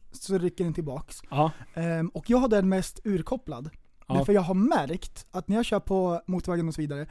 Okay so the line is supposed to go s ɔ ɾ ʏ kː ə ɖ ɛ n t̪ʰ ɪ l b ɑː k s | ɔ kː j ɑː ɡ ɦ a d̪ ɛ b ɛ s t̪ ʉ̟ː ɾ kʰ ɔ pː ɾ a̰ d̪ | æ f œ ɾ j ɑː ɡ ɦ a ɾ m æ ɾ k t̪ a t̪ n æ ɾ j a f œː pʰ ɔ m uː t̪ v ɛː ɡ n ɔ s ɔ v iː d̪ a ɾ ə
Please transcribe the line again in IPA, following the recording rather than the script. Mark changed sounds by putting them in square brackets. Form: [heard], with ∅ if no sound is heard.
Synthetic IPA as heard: s ɔ ɾ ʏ kː ə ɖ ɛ n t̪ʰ ɪ l b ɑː k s | ɔ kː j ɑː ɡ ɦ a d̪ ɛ [m] ɛ s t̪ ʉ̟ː ɾ kʰ ɔ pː [l] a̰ d̪ | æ f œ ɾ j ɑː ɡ ɦ a ɾ m æ ɾ k t̪ a t̪ n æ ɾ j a [ɕ] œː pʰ ɔ m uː t̪ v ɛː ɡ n ɔ s ɔ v iː d̪ a ɾ ə